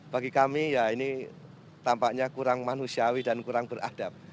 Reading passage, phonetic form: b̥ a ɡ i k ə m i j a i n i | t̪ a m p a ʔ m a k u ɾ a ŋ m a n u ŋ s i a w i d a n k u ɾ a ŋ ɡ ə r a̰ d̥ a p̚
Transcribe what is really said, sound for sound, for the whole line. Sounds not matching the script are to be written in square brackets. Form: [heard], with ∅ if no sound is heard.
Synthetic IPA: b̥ a ɡ i k [a] m i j a i n i | t̪ a m p a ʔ [ɲ] a k u ɾ a ŋ m a n u [∅] s i a w i d a n k u ɾ a ŋ [b] ə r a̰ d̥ a p̚